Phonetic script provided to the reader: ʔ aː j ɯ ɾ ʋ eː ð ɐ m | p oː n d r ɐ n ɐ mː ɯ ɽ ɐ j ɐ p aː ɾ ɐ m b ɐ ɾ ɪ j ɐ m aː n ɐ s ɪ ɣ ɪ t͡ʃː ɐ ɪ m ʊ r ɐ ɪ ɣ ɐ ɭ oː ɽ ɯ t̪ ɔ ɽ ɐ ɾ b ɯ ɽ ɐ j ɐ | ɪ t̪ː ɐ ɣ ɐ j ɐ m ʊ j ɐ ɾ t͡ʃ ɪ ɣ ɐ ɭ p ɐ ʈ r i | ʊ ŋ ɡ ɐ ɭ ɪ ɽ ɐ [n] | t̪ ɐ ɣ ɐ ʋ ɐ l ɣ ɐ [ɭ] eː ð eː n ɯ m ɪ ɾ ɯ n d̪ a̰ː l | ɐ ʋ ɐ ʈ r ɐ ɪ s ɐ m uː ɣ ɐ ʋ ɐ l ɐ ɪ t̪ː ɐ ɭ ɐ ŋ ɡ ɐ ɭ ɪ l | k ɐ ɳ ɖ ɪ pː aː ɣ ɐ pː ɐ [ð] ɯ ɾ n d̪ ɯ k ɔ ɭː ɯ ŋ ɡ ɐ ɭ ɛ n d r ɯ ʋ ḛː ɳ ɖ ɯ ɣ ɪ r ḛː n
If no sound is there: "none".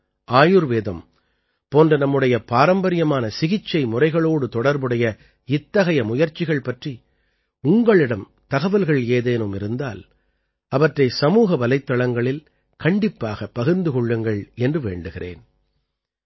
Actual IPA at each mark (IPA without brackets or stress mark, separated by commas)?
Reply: m, ɭ, ɣ